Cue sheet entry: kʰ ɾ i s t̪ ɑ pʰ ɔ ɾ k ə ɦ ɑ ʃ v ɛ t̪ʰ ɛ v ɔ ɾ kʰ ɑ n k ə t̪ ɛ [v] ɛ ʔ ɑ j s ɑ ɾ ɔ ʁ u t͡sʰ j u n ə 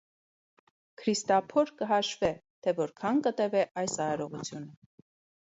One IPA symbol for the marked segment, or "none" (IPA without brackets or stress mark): v